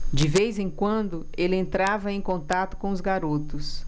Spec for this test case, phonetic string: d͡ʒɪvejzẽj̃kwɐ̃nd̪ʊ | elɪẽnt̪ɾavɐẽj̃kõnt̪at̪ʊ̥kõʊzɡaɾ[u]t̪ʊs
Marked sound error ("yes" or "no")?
yes